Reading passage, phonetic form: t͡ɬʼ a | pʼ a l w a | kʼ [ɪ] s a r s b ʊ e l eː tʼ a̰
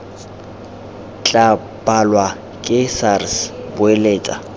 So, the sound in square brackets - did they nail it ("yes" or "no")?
yes